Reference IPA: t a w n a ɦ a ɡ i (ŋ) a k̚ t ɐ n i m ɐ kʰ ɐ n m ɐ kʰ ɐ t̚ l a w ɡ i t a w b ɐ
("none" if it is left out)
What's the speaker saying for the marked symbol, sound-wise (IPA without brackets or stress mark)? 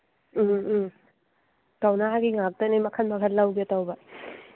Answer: ŋ